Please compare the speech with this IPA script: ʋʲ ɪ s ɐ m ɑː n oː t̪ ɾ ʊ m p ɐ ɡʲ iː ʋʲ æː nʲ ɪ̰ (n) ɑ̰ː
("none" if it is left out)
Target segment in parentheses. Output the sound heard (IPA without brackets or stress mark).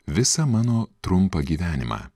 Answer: m